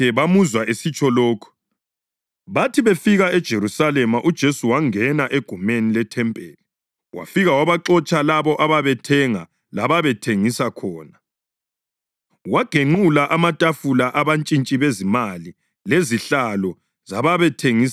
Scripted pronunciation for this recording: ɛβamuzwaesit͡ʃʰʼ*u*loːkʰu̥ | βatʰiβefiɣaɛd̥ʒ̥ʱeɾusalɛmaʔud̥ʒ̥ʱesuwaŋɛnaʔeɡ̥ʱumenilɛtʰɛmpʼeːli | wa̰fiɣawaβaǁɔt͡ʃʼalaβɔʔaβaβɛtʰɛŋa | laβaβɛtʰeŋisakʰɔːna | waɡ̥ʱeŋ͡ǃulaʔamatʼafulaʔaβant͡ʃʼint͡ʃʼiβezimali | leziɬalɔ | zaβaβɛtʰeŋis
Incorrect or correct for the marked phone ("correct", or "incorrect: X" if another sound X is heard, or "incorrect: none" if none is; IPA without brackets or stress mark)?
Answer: incorrect: ɔ